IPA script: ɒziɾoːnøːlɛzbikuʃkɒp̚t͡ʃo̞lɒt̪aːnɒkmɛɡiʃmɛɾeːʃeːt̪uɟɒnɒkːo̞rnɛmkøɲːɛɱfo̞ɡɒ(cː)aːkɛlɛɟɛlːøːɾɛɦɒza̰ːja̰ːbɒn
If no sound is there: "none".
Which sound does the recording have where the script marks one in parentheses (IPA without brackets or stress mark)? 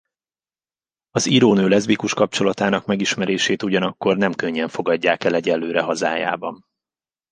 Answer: ɟː